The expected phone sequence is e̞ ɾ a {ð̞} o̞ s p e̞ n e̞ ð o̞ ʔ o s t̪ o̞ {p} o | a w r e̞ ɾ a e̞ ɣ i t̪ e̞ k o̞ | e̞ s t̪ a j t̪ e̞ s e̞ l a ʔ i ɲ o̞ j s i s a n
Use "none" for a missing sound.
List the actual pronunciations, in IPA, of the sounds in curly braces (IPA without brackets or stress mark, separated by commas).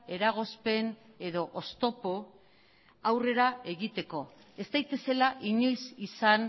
ɣ̞, p